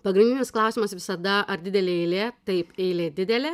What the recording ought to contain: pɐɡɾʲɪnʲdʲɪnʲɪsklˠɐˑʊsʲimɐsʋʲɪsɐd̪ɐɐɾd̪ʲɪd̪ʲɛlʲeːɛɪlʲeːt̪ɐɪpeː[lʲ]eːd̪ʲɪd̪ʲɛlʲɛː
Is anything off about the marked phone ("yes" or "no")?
no